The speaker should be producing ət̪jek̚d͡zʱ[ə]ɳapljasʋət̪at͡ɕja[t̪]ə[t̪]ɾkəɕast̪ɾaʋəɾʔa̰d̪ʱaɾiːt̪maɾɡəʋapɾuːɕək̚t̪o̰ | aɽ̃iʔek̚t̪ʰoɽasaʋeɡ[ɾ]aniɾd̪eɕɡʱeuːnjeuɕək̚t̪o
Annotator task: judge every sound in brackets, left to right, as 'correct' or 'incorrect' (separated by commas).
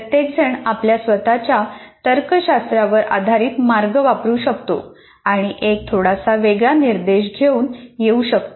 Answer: correct, correct, incorrect, incorrect